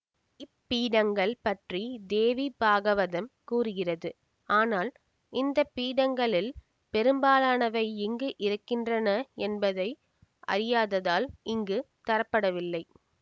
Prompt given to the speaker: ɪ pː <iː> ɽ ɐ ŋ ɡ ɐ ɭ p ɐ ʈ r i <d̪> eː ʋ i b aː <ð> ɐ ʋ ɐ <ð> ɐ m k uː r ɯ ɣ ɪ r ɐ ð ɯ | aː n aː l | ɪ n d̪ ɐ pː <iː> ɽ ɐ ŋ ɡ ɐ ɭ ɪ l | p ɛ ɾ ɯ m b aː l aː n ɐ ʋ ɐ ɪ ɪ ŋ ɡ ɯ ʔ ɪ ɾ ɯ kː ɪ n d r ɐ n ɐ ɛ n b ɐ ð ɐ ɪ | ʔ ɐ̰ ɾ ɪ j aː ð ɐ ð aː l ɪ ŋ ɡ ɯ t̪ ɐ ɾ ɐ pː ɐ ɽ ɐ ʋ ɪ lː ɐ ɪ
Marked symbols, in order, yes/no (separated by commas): yes, yes, no, yes, yes